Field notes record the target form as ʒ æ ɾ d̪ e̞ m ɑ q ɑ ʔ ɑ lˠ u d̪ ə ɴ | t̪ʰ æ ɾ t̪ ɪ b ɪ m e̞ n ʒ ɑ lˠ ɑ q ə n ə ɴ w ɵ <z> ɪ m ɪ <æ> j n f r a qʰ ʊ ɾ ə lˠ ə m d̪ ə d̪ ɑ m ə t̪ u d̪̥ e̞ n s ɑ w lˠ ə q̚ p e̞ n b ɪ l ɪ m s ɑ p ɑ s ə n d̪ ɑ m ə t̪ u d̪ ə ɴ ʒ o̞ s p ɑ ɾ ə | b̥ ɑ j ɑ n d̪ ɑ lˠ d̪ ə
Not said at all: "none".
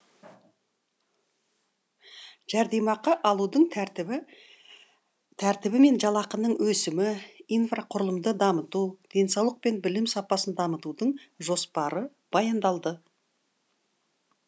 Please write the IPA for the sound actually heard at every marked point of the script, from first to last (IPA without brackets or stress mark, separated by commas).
s, i